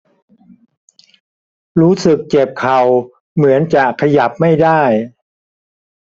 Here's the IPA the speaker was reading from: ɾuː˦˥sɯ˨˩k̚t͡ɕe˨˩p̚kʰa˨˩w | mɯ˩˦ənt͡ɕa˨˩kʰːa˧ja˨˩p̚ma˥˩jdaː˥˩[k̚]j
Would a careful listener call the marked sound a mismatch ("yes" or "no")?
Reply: yes